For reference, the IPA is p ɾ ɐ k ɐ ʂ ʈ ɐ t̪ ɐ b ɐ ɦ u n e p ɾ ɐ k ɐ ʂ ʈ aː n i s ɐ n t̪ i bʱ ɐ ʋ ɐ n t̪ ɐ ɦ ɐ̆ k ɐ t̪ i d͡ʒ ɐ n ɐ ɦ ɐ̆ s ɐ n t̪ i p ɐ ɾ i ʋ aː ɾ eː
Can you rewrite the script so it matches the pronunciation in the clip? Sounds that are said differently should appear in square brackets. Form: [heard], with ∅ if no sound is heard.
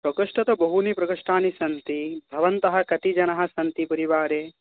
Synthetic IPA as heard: p ɾ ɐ k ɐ ʂ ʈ ɐ t̪ ɐ b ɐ ɦ u n [i] p ɾ ɐ k ɐ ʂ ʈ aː n i s ɐ n t̪ i bʱ ɐ ʋ ɐ n t̪ ɐ ɦ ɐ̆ k ɐ t̪ i d͡ʒ ɐ n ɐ ɦ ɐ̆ s ɐ n t̪ i p ɐ ɾ i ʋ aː ɾ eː